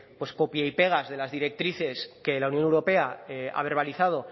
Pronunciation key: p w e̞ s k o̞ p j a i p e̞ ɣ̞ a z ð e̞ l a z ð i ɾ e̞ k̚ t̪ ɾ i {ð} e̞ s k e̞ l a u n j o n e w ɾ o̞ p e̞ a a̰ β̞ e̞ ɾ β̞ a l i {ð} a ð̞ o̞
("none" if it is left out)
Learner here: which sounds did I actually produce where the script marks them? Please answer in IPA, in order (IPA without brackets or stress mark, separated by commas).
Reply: θ, θ